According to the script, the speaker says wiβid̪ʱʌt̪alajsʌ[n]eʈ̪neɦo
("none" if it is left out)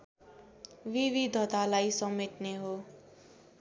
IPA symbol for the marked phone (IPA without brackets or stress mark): m